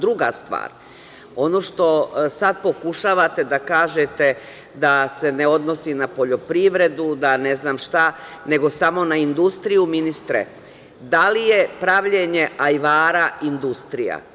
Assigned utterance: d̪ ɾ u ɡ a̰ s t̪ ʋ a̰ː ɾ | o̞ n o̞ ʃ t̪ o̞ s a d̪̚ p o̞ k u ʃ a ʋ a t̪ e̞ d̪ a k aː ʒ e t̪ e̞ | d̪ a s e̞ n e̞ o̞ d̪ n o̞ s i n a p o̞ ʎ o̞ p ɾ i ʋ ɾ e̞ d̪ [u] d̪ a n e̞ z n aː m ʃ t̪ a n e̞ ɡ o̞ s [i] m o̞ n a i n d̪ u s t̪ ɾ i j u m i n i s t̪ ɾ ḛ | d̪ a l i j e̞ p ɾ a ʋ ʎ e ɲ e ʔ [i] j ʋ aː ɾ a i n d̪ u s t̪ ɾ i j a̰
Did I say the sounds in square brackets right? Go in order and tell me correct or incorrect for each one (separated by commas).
correct, incorrect, incorrect